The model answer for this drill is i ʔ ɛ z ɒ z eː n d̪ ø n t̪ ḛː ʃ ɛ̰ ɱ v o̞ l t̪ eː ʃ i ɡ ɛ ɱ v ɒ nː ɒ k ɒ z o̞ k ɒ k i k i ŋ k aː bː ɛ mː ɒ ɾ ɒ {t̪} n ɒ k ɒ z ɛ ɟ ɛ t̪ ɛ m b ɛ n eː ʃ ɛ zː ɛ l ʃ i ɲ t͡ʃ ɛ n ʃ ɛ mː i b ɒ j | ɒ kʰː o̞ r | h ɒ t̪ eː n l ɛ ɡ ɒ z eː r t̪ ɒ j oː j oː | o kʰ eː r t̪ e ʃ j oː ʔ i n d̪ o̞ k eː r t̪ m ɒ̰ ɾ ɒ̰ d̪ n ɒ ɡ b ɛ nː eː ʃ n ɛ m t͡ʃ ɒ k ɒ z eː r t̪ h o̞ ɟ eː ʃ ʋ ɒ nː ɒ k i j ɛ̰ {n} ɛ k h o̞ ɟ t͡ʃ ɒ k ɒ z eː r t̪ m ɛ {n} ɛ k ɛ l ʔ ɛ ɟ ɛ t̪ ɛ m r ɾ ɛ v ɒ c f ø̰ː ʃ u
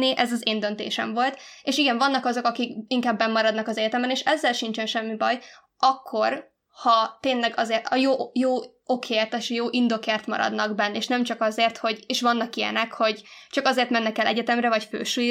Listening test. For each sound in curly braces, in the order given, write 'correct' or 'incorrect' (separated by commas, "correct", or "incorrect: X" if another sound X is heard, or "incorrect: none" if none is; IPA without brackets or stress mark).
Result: incorrect: d̪, correct, incorrect: nː